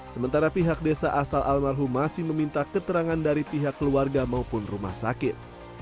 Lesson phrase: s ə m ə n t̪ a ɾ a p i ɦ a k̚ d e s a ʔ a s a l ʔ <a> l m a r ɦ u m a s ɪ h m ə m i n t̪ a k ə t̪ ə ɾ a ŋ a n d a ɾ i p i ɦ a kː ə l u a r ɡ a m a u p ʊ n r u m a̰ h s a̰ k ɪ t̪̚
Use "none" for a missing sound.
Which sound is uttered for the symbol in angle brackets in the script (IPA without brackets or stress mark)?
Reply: a